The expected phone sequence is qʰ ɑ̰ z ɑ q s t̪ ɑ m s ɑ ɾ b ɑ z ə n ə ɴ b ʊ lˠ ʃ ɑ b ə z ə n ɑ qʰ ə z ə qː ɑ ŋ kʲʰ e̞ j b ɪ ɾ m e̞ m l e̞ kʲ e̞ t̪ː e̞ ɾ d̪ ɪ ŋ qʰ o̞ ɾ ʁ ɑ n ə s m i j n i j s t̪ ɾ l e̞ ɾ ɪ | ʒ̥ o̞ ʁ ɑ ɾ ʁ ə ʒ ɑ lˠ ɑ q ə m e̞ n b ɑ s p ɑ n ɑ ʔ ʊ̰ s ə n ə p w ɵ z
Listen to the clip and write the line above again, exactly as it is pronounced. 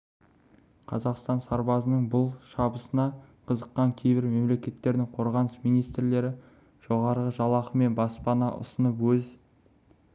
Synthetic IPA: qʰ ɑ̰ z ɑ q s t̪ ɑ n s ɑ ɾ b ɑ z ə n ə ɴ b ʊ lˠ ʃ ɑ b ə s ə n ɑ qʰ ə z ə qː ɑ ŋ kʲʰ e̞ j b ɪ ɾ m e̞ m l e̞ kʲ e̞ t̪ː e̞ ɾ d̪ ɪ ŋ qʰ o̞ ɾ ʁ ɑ n ə s m i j n i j s t̪ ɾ l e̞ ɾ ɪ | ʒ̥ o̞ ʁ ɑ ɾ ʁ ə ʒ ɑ lˠ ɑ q ə m e̞ n b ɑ s p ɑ n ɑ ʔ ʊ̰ s ə n ə p w ɵ z